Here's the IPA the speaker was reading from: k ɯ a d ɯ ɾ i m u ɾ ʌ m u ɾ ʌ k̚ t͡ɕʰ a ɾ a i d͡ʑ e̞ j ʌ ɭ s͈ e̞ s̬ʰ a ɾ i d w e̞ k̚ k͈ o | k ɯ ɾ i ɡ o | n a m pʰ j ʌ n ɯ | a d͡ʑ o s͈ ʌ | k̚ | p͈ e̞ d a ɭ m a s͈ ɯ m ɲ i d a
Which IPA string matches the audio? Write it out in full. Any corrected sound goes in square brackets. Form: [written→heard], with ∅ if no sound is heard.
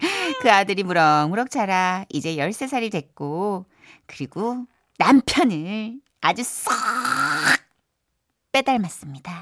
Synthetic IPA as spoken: k ɯ a d ɯ ɾ i m u ɾ ʌ m u ɾ ʌ k̚ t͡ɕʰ a ɾ a i d͡ʑ e̞ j ʌ ɭ s͈ e̞ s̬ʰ a ɾ i d w e̞ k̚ k͈ o | k ɯ ɾ i ɡ o | n a m pʰ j ʌ n ɯ | a d͡ʑ [o→u] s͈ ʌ | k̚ | p͈ e̞ d a ɭ m a s͈ ɯ m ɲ i d a